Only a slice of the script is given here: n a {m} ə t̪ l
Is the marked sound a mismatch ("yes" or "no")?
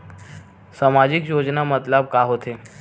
no